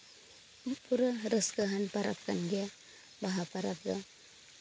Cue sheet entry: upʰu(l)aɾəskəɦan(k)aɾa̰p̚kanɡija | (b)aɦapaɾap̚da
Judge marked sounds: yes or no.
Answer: no, no, yes

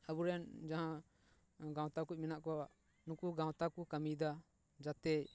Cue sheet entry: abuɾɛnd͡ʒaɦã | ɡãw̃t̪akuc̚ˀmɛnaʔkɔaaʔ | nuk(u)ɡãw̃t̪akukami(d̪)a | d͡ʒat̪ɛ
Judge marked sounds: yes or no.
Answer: yes, yes

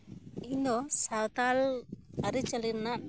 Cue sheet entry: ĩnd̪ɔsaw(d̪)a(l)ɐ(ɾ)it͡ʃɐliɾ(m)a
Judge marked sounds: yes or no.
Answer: no, yes, yes, no

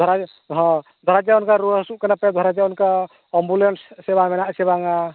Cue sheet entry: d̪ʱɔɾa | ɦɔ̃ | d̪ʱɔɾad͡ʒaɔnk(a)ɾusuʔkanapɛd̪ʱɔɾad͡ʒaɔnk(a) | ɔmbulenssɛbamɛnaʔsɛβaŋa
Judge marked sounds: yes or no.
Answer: yes, yes

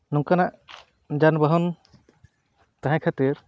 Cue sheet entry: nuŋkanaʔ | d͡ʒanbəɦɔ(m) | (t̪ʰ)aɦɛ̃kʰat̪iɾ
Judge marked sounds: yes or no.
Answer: no, no

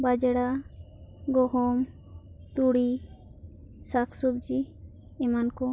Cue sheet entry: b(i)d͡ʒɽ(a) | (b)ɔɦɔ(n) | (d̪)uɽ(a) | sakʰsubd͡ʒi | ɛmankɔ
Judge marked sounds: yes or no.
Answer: no, yes, no, no, no, no

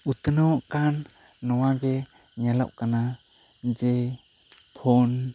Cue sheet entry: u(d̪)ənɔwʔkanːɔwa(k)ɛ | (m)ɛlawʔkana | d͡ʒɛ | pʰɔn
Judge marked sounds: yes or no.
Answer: no, no, no

